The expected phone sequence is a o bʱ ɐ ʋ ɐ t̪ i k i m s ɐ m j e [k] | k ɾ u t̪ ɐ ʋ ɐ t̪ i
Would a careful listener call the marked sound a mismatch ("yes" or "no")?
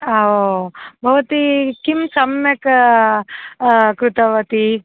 no